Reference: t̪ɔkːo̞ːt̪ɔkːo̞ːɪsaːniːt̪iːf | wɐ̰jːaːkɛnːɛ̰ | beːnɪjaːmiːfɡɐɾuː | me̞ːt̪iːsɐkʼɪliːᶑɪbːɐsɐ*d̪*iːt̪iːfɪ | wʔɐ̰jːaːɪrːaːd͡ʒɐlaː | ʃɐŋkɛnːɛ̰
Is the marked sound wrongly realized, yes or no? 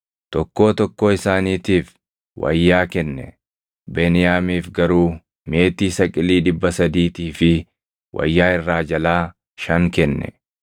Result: no